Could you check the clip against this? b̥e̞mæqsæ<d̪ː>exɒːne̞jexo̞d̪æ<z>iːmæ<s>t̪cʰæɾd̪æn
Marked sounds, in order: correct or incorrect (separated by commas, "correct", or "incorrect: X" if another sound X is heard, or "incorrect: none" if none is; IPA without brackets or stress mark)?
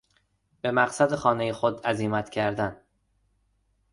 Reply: incorrect: d̪, correct, incorrect: none